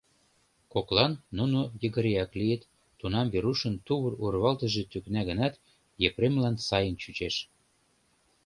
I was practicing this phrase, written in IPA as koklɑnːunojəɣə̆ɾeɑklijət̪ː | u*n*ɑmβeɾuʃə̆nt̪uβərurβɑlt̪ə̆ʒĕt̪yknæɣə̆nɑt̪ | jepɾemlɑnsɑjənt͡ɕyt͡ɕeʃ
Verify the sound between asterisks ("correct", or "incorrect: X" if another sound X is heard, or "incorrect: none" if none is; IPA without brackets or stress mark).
correct